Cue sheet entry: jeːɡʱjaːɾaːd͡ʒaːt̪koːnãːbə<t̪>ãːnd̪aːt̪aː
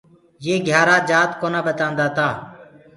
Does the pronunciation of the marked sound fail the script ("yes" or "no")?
no